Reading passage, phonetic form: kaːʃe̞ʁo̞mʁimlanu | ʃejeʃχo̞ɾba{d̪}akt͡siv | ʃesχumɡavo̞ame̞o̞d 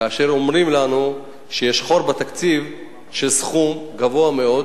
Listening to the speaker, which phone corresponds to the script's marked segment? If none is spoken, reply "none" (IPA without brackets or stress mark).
t̪